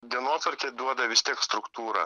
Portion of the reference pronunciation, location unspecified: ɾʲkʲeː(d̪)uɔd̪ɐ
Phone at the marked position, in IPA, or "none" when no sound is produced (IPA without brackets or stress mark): d̪